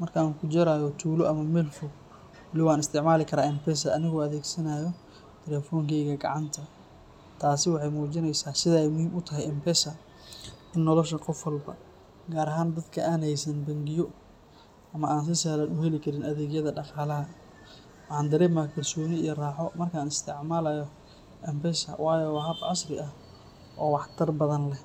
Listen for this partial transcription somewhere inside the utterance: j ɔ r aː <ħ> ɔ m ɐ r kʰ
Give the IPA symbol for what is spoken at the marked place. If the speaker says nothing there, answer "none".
ħ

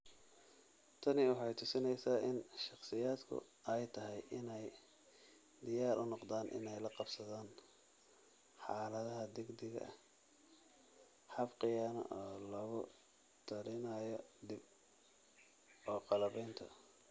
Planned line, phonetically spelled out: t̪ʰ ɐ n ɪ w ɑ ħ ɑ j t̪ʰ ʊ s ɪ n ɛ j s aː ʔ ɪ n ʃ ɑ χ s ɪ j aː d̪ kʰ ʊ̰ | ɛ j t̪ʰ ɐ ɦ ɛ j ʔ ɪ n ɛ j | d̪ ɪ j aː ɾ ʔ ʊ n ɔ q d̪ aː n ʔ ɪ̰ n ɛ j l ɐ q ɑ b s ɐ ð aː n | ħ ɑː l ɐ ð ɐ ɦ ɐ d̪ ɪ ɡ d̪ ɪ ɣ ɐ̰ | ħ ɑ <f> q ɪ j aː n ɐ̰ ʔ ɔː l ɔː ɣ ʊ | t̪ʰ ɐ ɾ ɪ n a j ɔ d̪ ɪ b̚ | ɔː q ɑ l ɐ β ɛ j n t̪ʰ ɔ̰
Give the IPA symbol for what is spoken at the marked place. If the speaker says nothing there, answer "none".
f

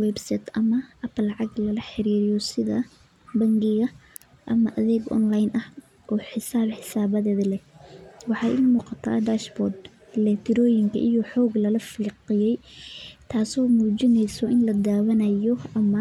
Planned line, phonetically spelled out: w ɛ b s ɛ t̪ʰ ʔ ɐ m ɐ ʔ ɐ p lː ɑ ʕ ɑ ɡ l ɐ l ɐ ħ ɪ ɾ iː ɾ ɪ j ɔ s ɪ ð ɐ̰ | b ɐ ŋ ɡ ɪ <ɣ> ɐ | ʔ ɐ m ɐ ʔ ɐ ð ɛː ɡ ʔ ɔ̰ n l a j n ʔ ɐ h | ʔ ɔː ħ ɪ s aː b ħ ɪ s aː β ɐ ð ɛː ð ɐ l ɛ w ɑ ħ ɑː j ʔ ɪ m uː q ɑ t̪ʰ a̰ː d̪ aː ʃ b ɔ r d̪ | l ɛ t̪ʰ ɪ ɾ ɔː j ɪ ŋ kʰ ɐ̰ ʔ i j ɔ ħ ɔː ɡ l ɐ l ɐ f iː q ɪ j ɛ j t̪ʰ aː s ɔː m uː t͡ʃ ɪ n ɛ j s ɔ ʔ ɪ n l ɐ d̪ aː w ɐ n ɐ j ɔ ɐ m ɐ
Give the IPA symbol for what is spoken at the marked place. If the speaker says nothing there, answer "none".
ɣ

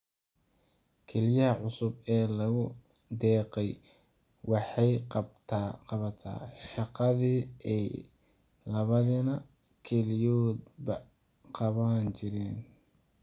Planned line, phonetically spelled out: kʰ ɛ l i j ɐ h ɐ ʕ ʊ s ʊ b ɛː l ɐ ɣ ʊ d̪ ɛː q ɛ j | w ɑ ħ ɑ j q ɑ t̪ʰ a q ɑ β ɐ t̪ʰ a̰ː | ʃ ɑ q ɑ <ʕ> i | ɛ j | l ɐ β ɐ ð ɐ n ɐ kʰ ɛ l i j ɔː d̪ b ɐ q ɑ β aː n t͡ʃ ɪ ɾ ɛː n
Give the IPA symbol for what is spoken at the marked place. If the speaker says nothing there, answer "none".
ð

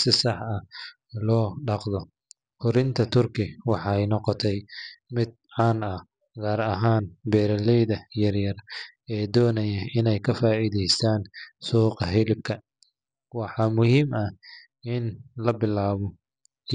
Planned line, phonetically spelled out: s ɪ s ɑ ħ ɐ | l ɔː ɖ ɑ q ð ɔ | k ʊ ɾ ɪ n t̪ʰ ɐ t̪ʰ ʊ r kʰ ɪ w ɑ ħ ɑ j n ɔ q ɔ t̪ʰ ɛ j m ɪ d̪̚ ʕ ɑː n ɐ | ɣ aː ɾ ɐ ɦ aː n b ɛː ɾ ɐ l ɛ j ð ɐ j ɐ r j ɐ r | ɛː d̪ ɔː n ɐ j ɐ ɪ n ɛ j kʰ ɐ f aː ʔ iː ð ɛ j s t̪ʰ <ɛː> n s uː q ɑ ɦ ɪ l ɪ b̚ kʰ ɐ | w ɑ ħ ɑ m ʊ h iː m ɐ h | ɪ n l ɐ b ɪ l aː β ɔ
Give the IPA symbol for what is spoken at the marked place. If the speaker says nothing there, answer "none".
aː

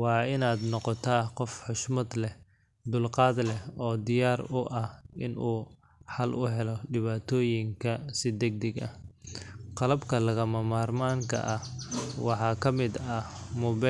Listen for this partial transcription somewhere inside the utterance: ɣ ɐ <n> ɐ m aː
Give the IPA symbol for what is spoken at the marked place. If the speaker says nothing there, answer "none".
m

